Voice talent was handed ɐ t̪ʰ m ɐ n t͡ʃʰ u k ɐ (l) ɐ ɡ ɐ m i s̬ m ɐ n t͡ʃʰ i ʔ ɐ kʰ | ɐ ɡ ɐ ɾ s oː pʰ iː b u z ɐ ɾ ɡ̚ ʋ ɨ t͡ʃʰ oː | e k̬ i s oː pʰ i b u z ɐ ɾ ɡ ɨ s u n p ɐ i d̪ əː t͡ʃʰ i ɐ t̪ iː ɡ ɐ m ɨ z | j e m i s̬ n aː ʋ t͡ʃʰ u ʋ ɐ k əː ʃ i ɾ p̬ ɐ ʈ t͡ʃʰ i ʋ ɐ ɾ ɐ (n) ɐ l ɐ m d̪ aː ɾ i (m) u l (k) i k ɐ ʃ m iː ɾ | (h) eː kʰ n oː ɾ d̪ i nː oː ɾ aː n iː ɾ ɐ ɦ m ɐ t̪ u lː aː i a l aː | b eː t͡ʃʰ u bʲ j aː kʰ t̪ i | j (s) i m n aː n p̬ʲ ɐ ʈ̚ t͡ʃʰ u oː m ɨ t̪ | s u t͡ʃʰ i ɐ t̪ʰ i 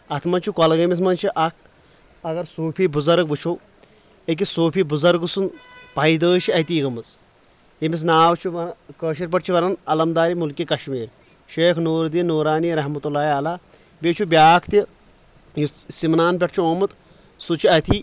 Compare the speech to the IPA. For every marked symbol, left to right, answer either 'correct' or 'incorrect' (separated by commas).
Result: correct, correct, correct, correct, incorrect, correct